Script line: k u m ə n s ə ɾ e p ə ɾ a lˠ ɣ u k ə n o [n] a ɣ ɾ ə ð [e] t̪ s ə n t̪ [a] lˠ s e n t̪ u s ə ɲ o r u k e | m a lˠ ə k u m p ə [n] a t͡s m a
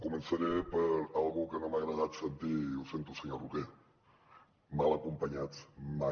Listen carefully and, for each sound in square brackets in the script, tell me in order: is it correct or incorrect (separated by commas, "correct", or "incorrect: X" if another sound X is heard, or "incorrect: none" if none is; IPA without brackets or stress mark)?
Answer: incorrect: m, incorrect: a, incorrect: i, incorrect: ɲ